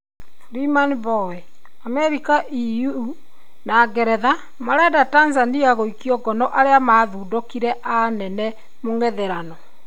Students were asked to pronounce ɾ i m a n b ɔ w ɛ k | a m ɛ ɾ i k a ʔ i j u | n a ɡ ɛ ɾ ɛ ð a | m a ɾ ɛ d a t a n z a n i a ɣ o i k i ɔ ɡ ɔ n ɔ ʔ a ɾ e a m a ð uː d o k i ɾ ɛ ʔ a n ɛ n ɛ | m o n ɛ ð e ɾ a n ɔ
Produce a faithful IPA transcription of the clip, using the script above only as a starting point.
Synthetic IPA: ɾ i m a n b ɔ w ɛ | a m ɛ ɾ i k a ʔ i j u | n a ɡ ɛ ɾ ɛ ð a | m a ɾ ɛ d a t a n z a n i a ɣ o i k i ɔ ɡ ɔ n ɔ ʔ a ɾ e a m a ð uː d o k i ɾ ɛ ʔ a n ɛ n ɛ | m o ŋ ɛ ð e ɾ a n ɔ